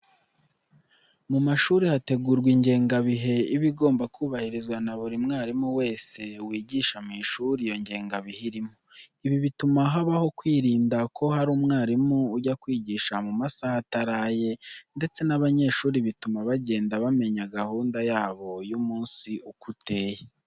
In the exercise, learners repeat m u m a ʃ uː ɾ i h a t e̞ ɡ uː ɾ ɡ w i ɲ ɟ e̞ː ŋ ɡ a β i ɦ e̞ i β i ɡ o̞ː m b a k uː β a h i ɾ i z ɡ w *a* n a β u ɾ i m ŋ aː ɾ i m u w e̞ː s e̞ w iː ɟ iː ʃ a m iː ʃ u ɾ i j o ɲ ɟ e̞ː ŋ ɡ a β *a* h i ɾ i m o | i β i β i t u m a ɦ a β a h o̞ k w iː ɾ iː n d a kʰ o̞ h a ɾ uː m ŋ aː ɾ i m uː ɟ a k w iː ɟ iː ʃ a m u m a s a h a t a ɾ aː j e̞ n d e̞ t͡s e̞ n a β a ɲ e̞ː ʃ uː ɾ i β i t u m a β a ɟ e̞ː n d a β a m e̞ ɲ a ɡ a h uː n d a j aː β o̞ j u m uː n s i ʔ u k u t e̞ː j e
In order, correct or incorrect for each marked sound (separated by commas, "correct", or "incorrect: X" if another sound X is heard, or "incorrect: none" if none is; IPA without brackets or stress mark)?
correct, incorrect: i